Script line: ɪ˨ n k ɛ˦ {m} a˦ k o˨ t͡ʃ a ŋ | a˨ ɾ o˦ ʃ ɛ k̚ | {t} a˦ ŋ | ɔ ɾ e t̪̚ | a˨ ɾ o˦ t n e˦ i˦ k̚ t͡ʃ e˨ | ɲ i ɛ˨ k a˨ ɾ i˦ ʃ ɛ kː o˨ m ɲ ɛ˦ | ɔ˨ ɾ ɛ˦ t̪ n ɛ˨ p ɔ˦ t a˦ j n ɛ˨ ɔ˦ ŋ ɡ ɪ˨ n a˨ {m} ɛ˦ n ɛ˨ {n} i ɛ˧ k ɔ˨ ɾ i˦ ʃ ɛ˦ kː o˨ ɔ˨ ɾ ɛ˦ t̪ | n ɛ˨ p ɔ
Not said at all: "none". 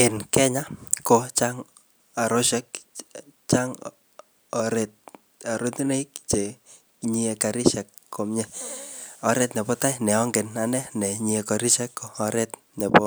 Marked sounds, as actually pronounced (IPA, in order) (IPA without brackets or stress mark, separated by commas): ɲ, t͡ʃ, n, ɲ